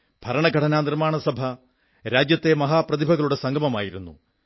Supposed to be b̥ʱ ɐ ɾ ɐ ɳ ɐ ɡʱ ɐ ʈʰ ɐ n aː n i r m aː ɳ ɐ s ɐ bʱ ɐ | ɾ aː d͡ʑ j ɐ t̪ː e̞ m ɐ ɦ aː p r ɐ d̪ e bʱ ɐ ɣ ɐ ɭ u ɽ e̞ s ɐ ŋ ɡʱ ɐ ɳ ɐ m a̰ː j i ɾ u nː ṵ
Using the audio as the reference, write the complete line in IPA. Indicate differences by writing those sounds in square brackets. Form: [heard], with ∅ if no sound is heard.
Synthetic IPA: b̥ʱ ɐ ɾ ɐ ɳ ɐ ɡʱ ɐ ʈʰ ɐ n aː n i r m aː ɳ ɐ s ɐ bʱ ɐ | ɾ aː d͡ʑ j ɐ t̪ː e̞ m ɐ ɦ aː p r ɐ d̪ [i] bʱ ɐ ɣ ɐ ɭ u ɽ e̞ s ɐ ŋ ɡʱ ɐ [m] ɐ m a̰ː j i ɾ u nː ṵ